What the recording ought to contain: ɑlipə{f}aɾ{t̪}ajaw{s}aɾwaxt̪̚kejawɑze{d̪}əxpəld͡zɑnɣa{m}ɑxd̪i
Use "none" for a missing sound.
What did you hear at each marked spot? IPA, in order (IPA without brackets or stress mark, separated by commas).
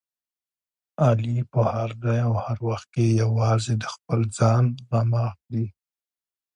h, d̪, h, d̪, m